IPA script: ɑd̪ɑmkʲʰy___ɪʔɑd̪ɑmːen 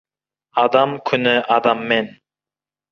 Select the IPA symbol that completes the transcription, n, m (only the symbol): n